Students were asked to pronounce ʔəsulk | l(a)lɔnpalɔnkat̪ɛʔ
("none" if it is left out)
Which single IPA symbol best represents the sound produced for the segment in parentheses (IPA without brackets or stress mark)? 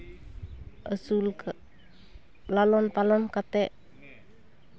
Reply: a